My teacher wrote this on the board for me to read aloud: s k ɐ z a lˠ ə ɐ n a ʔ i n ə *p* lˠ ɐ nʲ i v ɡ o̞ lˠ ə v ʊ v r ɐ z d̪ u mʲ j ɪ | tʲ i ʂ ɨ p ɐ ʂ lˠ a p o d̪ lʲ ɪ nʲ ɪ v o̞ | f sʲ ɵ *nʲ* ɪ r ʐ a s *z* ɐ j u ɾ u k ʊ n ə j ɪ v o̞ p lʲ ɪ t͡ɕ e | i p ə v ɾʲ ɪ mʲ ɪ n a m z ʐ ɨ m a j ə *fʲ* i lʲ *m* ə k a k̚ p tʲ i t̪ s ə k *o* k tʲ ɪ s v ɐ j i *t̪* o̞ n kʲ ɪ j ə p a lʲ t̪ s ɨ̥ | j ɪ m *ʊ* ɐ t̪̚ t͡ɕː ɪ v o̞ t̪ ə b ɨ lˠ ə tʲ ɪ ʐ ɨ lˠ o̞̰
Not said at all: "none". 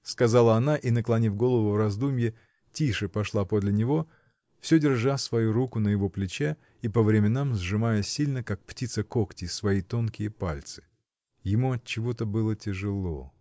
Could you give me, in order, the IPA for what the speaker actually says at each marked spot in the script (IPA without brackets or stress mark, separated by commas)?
k, dʲ, v, sʲ, n, o, t̪, u